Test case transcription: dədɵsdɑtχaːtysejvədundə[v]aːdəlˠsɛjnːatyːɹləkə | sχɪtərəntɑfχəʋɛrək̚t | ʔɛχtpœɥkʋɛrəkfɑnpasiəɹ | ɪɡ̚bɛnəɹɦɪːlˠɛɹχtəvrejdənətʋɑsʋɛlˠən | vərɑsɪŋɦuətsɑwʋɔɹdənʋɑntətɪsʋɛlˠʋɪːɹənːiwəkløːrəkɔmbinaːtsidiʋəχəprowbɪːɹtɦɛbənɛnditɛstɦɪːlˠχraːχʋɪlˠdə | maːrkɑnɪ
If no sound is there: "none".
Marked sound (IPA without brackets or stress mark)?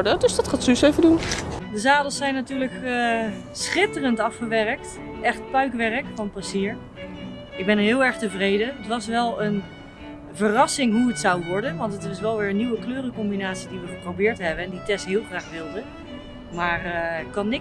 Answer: z